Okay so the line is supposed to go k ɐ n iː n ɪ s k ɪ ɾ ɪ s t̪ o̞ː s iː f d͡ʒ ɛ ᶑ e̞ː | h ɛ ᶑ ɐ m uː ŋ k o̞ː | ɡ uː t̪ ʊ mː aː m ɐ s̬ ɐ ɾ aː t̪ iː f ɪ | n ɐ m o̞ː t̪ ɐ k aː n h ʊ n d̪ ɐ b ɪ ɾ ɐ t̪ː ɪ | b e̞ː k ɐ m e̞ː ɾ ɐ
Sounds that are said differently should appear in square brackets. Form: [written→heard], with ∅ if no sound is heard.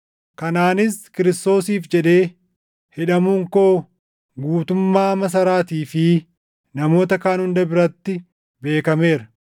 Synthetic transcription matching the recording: k ɐ n [iː→aː] n ɪ s k ɪ ɾ ɪ s t̪ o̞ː s iː f d͡ʒ ɛ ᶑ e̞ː | h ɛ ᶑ ɐ m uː ŋ k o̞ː | ɡ uː t̪ ʊ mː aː m ɐ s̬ ɐ ɾ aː t̪ iː f ɪ | n ɐ m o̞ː t̪ ɐ k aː n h ʊ n d̪ ɐ b ɪ ɾ ɐ t̪ː ɪ | b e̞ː k ɐ m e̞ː ɾ ɐ